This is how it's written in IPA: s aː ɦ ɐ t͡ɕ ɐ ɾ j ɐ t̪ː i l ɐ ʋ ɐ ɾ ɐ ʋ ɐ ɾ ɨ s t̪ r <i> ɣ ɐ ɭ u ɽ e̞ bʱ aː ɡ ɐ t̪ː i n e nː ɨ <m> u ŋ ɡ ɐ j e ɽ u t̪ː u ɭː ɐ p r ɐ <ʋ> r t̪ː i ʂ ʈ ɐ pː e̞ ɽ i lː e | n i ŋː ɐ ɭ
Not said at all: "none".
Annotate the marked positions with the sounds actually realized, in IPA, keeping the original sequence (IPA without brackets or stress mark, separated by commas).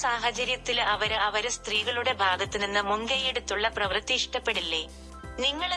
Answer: iː, m, ʋ